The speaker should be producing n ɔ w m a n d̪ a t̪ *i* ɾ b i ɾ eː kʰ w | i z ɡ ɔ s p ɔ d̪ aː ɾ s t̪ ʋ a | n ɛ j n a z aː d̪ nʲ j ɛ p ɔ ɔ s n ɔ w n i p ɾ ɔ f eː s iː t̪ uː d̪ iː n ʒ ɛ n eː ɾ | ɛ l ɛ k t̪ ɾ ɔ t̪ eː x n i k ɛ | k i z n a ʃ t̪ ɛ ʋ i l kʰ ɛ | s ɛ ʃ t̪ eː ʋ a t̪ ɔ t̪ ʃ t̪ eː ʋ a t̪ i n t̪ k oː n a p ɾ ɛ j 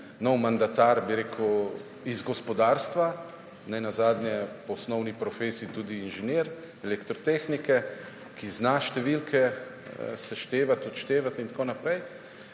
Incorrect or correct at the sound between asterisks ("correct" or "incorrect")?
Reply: incorrect